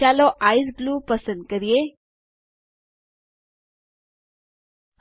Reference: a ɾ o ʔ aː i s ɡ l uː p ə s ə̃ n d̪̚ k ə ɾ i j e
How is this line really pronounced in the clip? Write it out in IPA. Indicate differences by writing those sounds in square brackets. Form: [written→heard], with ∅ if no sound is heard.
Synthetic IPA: a [ɾ→l] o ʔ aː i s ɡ l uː p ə s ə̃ n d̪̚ k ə ɾ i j e

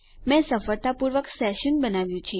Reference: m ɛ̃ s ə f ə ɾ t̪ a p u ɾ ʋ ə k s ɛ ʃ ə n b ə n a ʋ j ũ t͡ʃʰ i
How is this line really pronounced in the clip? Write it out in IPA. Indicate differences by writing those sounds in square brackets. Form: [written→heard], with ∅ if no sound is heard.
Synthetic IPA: m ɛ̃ s ə f ə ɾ t̪ a p u ɾ ʋ ə k s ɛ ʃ ə n b ə n a ʋ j ũ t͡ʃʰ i

